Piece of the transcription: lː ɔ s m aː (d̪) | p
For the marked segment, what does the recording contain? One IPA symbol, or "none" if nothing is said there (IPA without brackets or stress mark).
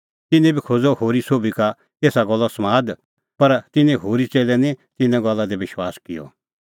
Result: d̪